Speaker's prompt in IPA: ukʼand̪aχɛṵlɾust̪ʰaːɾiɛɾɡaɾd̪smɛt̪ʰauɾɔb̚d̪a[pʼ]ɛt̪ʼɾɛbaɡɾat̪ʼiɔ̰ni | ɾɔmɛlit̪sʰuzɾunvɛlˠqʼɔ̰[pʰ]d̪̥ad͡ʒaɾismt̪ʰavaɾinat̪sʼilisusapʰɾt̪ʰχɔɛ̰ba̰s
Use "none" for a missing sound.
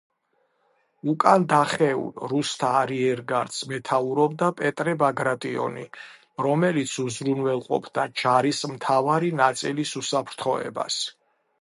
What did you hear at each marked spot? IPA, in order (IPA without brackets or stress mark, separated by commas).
pʼ, pʰ